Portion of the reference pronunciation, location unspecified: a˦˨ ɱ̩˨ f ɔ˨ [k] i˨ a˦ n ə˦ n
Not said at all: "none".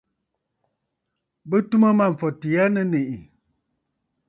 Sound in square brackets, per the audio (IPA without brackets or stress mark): t